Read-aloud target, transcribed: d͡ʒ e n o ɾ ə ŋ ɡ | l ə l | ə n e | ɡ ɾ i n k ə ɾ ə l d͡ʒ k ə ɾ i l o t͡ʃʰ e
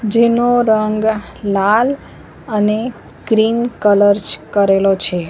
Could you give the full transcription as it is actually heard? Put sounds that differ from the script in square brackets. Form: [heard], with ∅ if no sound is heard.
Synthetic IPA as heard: d͡ʒ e n o ɾ ə ŋ ɡ | l [a] l | ə n e | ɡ ɾ i n k ə [l] ə [ɾ] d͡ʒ k ə ɾ [e] l o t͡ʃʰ e